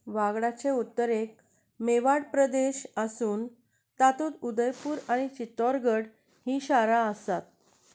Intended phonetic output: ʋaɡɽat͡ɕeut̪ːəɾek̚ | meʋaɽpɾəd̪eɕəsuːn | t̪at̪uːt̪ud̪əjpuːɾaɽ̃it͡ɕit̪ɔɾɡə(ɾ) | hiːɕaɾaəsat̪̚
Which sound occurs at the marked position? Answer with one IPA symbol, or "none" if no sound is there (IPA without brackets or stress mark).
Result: ɽ